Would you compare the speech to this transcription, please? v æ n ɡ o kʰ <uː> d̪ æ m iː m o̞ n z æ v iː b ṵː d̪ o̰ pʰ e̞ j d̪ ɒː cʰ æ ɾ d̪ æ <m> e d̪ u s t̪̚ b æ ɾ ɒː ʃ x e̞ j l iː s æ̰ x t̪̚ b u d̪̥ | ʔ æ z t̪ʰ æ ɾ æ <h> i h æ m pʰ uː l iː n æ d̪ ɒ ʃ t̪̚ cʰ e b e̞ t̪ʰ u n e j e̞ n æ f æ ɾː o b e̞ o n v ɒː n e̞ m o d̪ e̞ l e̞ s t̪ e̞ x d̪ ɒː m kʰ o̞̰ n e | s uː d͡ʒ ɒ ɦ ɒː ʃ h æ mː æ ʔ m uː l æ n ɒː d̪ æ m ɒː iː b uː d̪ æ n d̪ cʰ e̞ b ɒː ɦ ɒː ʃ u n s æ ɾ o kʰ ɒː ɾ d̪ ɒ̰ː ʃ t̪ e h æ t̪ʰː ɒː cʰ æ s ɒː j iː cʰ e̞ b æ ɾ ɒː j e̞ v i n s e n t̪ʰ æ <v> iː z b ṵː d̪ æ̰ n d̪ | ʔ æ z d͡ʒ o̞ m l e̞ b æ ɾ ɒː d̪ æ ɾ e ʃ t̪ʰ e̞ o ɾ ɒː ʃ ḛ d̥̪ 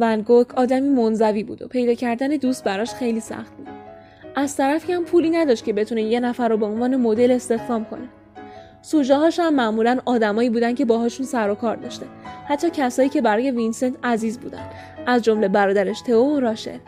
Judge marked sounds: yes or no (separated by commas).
no, no, no, no